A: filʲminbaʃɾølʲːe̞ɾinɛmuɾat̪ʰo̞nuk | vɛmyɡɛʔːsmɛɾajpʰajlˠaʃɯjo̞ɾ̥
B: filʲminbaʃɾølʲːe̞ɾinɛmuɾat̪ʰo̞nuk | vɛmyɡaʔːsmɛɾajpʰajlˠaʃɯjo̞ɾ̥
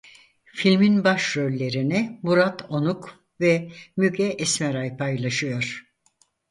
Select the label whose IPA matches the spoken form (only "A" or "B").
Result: A